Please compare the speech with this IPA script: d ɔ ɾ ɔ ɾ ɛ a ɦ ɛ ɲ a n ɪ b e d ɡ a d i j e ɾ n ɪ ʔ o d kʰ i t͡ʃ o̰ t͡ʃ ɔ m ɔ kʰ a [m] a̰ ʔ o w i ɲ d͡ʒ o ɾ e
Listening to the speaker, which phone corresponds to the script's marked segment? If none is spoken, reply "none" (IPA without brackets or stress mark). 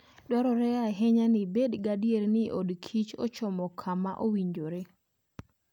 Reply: m